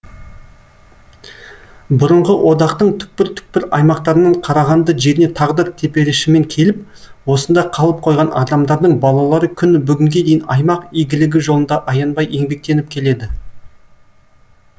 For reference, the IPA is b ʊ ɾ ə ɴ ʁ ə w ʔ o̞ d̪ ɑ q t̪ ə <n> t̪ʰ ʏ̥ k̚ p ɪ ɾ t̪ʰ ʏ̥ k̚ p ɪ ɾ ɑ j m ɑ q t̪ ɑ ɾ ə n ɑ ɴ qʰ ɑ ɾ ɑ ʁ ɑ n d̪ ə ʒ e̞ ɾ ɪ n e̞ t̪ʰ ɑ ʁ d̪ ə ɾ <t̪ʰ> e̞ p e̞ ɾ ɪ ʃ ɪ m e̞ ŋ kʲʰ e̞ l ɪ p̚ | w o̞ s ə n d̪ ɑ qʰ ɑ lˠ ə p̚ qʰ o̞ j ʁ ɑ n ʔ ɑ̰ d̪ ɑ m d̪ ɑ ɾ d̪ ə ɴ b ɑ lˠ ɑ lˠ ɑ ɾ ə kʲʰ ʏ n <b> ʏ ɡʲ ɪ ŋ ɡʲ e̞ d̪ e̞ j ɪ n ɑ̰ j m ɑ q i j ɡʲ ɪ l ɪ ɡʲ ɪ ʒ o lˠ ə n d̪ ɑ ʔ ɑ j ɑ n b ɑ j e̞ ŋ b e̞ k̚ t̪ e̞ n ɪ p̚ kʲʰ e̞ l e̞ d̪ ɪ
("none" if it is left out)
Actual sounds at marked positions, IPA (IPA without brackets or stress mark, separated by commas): ɴ, t̪ʰ, b